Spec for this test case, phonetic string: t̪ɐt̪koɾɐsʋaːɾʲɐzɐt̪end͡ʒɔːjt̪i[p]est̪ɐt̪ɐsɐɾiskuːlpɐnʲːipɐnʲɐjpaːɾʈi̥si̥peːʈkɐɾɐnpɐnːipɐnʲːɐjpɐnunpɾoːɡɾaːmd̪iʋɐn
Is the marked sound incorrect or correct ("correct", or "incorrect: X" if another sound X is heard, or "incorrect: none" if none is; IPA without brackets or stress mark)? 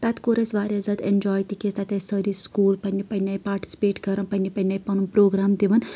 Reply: incorrect: k